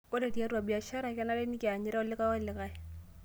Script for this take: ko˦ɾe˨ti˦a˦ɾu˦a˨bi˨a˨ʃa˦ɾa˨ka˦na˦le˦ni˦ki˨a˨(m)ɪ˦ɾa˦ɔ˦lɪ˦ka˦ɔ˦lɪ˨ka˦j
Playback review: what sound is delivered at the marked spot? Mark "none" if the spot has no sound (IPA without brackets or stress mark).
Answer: ɲ